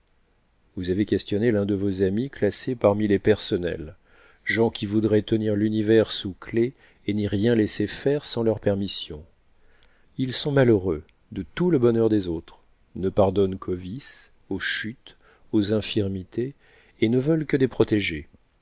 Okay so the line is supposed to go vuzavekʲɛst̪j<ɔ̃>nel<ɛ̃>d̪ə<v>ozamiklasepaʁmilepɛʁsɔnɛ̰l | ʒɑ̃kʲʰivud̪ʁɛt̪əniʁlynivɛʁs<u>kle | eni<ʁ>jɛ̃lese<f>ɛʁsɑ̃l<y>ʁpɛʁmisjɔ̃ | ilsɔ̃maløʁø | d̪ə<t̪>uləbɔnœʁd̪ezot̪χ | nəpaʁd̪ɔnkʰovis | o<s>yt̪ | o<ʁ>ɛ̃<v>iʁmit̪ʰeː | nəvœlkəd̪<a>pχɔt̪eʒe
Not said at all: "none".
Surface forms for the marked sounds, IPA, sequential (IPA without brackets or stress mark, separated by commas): ɔ, ɛ̃, v, u, ʁ, f, œ, t̪, ʃ, z, f, e